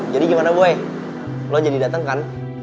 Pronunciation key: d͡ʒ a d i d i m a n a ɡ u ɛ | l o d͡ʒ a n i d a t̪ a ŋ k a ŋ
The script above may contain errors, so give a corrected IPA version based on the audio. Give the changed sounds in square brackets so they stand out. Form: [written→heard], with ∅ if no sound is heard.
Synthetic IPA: d͡ʒ a d i [d→ɡ] i m a n a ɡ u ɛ | l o d͡ʒ a [n→d] i d a t̪ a ŋ k a [ŋ→n]